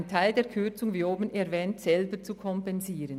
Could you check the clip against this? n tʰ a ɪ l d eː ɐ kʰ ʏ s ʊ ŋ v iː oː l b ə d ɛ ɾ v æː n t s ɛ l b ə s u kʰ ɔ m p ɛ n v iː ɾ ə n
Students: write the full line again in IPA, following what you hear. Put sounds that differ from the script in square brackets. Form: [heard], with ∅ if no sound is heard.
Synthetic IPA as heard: n tʰ a ɪ l d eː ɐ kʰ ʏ [t͡s] ʊ ŋ v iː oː [∅] b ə [n] ɛ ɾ v [ɛː] n t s ɛ l b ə [t͡s] u kʰ ɔ m p ɛ n [z] iː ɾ ə n